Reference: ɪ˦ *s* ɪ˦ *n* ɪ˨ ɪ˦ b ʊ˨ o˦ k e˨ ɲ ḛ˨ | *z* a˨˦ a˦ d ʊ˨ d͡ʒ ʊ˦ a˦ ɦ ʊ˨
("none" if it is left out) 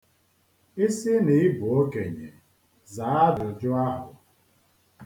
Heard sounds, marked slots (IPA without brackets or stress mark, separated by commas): s, n, z